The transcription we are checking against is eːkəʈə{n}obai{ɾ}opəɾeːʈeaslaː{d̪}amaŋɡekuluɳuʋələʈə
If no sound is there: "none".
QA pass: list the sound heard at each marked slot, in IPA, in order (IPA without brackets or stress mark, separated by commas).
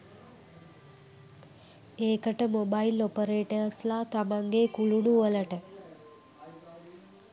m, l, t̪